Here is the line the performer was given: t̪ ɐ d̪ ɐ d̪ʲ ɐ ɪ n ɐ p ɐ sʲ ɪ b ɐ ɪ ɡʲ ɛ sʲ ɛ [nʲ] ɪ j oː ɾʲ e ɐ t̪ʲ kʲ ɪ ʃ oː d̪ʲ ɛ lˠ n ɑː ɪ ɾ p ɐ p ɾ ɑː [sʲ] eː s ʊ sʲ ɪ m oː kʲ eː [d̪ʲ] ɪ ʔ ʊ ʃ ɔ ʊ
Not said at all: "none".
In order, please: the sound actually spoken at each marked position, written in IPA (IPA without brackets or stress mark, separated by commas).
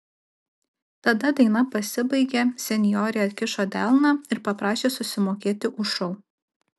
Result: nʲ, ʃʲ, t̪ʲ